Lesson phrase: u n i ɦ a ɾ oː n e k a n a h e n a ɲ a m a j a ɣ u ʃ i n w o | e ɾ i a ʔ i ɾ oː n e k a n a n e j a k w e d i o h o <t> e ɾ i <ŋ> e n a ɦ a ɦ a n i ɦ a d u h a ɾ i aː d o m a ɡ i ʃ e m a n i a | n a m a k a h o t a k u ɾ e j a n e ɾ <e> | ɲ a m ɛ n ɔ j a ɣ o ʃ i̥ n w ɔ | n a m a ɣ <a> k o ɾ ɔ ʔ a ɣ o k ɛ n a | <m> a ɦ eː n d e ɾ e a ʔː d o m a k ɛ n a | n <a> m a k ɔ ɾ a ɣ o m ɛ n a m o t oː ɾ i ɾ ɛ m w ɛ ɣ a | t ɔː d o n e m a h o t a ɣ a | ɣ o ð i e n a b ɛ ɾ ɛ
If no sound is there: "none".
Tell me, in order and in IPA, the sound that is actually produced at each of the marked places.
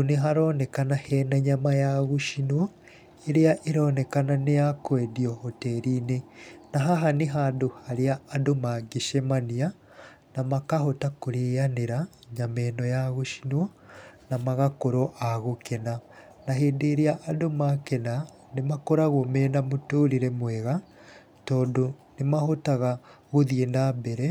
t, n, a, a, n, e

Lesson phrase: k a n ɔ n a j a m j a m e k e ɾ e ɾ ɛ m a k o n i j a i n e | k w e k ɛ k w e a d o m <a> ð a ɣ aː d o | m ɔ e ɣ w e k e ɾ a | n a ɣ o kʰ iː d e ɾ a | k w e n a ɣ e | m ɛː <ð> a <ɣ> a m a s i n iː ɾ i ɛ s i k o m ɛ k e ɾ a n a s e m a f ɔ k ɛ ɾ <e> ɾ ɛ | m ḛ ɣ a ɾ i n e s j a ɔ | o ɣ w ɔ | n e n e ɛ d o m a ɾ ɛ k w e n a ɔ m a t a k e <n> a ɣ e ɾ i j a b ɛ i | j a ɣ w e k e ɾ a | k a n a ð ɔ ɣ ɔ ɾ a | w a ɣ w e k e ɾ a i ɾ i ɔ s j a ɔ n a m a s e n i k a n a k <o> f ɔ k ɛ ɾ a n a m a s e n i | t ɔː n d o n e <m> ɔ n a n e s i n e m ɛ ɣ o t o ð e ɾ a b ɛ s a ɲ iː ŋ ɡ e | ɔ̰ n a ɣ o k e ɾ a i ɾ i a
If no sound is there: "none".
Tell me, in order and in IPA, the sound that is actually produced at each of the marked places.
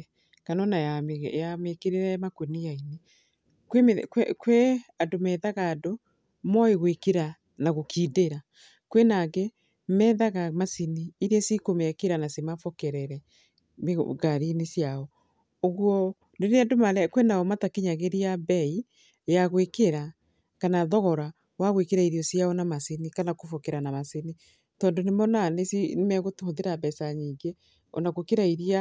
ɛ, ð, ɣ, ɛ, ɲ, o, m

